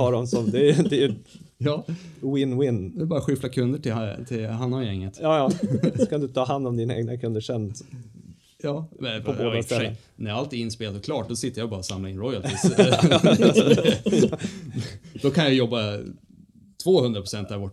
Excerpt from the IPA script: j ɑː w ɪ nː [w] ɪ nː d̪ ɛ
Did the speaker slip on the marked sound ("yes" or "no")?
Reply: no